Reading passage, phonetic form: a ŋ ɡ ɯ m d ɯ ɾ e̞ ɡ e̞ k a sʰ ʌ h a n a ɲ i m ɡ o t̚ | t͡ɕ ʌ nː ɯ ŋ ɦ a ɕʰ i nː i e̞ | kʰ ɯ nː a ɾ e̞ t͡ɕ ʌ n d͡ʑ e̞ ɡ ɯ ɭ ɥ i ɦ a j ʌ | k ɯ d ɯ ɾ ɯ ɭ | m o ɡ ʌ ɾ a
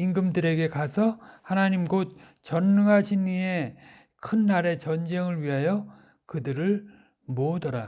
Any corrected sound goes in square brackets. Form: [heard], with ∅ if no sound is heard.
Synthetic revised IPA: [i] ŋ ɡ ɯ m d ɯ ɾ e̞ ɡ e̞ k a sʰ ʌ h a n a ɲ i m ɡ o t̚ | t͡ɕ ʌ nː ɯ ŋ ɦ a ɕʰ i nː i e̞ | kʰ ɯ nː a ɾ e̞ t͡ɕ ʌ n d͡ʑ e̞ [ŋ] ɯ ɭ ɥ i ɦ a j ʌ | k ɯ d ɯ ɾ ɯ ɭ | m o [d] ʌ ɾ a